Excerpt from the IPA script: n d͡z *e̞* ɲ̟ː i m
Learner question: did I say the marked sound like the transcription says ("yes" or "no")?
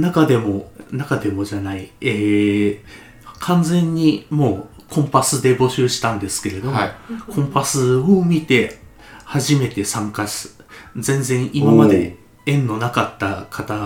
no